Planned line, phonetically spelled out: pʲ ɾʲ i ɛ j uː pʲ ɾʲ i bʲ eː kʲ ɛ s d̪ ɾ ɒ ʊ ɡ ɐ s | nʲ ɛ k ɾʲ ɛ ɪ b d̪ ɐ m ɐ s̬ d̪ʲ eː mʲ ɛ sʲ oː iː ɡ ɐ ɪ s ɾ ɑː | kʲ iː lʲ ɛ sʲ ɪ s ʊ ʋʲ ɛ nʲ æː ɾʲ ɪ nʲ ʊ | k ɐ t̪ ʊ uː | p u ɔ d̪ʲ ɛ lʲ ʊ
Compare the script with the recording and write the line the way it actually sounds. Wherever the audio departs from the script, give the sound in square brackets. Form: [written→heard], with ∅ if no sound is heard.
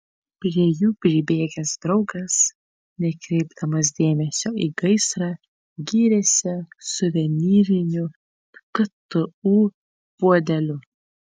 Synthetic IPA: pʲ ɾʲ i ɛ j uː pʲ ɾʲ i bʲ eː [kʲ→ɡʲ] ɛ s d̪ ɾ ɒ ʊ ɡ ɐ s | nʲ ɛ k ɾʲ ɛ ɪ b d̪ ɐ m ɐ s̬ d̪ʲ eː mʲ ɛ sʲ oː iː ɡ ɐ ɪ s ɾ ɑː | [kʲ→ɡʲ] iː [lʲ→ɾʲ] ɛ sʲ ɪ s ʊ ʋʲ ɛ nʲ [æː→iː] ɾʲ ɪ nʲ ʊ | k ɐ t̪ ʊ uː | p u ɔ d̪ʲ ɛ lʲ ʊ